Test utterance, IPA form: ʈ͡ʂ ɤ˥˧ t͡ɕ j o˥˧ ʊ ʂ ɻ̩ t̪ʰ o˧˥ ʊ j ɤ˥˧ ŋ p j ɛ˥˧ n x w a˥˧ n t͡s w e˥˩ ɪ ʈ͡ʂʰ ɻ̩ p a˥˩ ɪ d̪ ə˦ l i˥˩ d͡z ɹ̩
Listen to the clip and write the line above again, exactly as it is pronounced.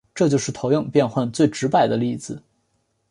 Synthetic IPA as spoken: ʈ͡ʂ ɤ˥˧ t͡ɕ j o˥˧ ʊ ʂ ɻ̩ t̪ʰ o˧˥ ʊ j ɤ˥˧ ŋ p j ɛ˥˧ n x w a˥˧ n t͡s w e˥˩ ɪ ʈ͡ʂ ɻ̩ p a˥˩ ɪ d̪ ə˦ l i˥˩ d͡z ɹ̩